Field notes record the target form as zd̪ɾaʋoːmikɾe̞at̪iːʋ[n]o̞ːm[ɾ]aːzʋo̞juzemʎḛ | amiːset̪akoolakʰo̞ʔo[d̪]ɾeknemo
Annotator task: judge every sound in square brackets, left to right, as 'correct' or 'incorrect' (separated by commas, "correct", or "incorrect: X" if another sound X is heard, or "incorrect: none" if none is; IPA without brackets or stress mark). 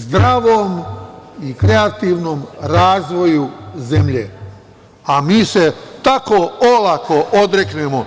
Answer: correct, correct, correct